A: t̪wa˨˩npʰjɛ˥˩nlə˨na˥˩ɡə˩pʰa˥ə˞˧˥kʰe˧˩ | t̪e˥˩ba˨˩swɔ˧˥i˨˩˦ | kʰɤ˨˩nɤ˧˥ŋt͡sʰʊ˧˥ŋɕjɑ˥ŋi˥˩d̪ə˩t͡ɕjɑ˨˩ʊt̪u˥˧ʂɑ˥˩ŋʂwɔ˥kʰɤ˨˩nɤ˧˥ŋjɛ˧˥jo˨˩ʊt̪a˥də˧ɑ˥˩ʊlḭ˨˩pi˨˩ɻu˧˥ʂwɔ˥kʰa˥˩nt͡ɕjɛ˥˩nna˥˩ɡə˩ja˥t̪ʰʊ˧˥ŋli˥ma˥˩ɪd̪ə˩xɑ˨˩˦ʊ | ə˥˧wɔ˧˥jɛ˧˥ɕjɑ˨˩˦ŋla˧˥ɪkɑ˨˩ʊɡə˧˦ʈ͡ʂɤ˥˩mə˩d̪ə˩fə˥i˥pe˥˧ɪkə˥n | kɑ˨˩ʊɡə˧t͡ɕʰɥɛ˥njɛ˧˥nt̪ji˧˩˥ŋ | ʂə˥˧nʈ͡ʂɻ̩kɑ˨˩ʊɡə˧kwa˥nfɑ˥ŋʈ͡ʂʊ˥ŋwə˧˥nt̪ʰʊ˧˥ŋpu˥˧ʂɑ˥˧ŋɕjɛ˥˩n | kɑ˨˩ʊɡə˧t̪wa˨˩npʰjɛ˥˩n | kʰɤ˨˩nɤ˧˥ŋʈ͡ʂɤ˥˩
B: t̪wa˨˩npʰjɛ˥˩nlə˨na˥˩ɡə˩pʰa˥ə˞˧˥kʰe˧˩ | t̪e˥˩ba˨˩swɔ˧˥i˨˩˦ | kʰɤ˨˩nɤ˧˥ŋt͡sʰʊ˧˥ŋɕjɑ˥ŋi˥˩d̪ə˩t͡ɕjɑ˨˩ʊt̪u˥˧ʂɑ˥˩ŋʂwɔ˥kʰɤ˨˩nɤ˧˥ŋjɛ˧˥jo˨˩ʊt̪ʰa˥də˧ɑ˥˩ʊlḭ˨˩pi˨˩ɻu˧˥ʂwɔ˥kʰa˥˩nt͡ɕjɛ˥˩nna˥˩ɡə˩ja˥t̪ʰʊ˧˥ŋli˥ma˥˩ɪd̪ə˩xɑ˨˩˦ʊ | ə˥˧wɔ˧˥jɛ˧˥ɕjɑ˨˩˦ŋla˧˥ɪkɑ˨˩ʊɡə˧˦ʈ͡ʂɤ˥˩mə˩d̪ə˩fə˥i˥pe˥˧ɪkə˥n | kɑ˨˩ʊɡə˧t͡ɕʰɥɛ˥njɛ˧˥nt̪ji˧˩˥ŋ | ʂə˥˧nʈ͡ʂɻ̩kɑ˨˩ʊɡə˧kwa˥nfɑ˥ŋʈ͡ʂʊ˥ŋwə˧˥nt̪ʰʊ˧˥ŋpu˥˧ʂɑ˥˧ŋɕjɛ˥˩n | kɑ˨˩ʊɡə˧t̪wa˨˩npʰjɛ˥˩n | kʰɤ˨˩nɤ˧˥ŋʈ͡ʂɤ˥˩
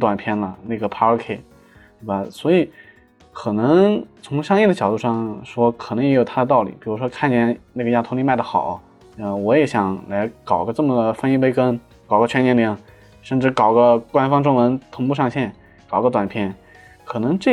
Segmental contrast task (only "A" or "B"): B